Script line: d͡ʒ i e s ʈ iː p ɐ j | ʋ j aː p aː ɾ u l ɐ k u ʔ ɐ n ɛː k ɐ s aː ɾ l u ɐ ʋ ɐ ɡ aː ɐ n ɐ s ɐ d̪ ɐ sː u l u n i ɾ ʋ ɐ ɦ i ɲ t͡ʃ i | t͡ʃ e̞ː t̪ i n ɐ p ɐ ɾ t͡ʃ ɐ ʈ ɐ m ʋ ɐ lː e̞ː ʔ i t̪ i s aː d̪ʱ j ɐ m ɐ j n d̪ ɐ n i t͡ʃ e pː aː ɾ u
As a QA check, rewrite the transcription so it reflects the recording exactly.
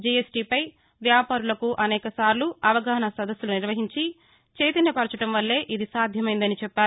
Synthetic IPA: d͡ʒ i e s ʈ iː p ɐ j | ʋ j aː p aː ɾ u l ɐ k u ʔ ɐ n ɛː k ɐ s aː ɾ l u ɐ ʋ ɐ ɡ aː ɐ n ɐ s ɐ d̪ ɐ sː u l u n i ɾ ʋ ɐ ɦ i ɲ t͡ʃ i | t͡ʃ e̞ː t̪ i n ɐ p ɐ ɾ t͡ʃ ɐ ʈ ɐ m ʋ ɐ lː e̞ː ʔ i d̪ i s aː d̪ʱ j ɐ m ɐ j n d̪ ɐ n i t͡ʃ ɛ pː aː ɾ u